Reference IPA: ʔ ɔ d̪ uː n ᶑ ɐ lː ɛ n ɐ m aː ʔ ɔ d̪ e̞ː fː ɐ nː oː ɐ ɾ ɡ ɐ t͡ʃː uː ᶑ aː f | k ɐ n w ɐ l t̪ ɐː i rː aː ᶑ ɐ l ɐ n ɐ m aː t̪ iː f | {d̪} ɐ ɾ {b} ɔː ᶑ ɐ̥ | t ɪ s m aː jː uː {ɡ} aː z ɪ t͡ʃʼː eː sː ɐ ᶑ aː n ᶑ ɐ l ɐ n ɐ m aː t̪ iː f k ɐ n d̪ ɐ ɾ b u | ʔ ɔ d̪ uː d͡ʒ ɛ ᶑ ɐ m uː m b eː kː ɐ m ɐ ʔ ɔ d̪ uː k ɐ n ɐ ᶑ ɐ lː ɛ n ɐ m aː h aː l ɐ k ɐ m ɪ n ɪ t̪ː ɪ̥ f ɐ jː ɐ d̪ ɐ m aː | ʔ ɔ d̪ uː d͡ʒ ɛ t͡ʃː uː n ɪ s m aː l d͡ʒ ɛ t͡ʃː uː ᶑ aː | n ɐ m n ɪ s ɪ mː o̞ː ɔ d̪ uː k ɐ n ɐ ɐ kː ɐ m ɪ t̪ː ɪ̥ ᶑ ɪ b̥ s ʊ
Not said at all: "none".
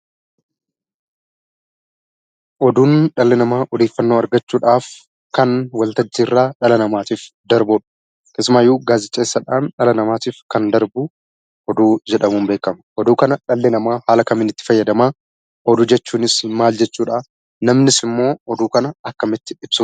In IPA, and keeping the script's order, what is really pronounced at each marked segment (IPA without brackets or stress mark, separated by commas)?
d̪, b, ɡ